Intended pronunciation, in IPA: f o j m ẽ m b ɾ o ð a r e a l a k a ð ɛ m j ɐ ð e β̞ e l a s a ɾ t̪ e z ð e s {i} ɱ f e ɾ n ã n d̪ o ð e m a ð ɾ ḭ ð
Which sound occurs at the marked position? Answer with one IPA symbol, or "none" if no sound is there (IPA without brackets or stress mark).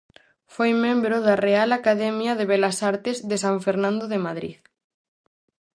a